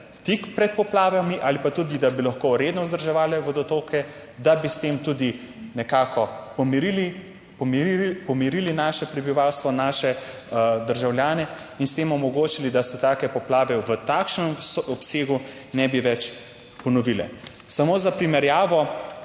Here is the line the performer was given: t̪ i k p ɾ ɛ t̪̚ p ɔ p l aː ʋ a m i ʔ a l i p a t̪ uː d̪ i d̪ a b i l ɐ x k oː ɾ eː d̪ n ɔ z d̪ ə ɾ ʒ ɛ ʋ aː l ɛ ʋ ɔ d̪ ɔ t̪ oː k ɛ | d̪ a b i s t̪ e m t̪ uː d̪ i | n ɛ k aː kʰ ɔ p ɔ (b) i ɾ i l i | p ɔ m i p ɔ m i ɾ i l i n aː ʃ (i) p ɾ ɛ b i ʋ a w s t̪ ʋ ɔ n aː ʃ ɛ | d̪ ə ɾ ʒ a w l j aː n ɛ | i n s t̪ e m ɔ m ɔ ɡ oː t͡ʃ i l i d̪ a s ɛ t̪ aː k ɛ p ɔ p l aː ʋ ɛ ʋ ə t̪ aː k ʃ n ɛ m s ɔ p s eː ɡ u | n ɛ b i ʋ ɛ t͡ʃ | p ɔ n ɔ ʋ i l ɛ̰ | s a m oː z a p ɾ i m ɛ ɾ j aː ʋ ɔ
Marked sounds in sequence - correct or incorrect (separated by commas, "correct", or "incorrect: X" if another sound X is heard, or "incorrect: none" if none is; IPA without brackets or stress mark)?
incorrect: m, incorrect: ɛ